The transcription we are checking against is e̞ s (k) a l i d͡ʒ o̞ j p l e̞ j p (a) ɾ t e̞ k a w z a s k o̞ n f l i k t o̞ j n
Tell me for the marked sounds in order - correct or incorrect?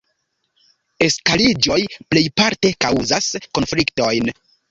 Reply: correct, correct

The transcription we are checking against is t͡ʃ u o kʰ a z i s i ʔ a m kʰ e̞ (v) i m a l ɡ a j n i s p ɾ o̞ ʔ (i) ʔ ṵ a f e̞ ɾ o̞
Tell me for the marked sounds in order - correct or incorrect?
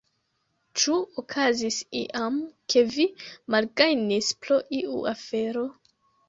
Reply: correct, correct

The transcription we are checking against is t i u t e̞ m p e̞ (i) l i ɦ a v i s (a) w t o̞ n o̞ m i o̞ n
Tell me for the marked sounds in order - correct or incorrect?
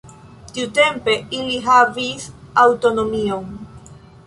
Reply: correct, correct

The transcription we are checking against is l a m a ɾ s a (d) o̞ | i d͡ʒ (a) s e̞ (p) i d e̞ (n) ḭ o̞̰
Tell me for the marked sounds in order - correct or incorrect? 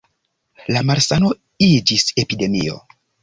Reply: incorrect: n, incorrect: i, correct, incorrect: m

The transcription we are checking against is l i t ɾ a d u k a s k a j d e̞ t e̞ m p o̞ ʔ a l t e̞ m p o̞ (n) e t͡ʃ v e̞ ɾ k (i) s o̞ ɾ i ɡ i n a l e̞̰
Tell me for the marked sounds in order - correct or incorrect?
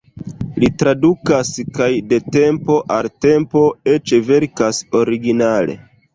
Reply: incorrect: none, incorrect: a

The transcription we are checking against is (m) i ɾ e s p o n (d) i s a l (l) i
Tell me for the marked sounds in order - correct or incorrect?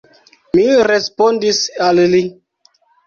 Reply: correct, correct, correct

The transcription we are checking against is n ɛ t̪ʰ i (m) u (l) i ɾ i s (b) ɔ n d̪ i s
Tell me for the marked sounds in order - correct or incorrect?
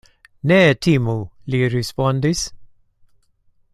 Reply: correct, correct, incorrect: p

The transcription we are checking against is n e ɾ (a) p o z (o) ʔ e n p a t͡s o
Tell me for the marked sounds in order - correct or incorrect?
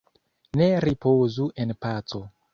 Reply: incorrect: i, incorrect: u

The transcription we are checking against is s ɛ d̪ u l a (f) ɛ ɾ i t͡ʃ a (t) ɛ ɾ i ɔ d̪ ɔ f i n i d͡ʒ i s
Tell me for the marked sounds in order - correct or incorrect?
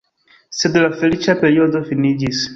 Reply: correct, incorrect: p

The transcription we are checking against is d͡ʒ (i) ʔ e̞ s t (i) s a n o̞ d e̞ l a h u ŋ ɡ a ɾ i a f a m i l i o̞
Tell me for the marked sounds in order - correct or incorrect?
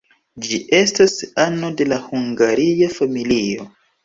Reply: correct, incorrect: a

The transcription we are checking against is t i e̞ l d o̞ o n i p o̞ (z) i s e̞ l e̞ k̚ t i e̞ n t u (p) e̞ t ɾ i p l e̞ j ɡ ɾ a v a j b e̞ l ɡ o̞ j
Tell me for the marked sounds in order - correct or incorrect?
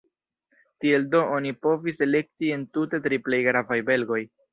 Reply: incorrect: v, incorrect: t

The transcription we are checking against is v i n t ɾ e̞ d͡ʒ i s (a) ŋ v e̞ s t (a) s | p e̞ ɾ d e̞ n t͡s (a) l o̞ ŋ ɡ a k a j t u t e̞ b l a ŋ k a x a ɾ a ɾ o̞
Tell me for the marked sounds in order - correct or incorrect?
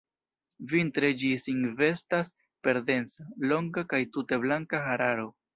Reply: incorrect: i, correct, correct

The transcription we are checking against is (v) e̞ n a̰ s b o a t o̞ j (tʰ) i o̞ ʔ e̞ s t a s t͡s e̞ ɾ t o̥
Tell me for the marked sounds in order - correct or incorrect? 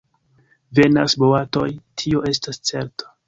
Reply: correct, correct

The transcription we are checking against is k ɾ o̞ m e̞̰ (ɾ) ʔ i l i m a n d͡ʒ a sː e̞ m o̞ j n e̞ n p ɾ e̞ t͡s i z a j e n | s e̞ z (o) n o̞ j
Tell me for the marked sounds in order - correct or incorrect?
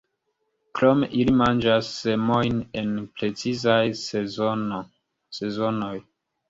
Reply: incorrect: none, correct

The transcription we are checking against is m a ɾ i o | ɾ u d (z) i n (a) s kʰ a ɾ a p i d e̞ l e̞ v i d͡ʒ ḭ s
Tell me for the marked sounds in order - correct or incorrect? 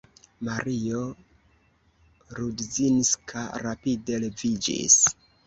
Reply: correct, incorrect: i

